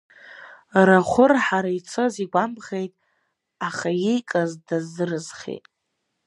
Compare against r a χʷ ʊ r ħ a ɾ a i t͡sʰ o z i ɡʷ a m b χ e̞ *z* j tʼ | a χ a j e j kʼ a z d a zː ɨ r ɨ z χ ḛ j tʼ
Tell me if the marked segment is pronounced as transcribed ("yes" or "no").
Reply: no